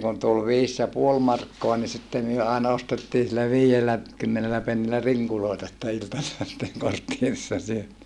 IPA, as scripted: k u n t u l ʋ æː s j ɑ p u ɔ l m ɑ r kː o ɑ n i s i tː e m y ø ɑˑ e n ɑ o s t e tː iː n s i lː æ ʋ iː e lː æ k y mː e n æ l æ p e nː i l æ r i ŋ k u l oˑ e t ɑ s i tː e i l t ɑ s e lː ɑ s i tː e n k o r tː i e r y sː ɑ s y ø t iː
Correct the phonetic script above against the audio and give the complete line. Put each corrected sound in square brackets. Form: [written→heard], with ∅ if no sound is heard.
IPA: k u n t u l ʋ [æː→iː] s j ɑ p u [ɔ→o] l m ɑ r kː o ɑ n i s i tː e m y ø ɑˑ e n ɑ o s t e tː iː n s i lː æ ʋ iː e lː æ k y mː e n [æ→e] l æ p e nː i l æ r i ŋ k u l oˑ e t ɑ s i tː e i l t ɑ s e lː ɑ s i tː e [n→ŋ] k o r tː i e r [y→i] sː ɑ s y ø t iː